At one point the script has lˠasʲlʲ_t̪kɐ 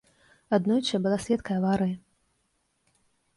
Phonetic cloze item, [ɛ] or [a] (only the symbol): ɛ